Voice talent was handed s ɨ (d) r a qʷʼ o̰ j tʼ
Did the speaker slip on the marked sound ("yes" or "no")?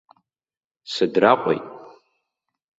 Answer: no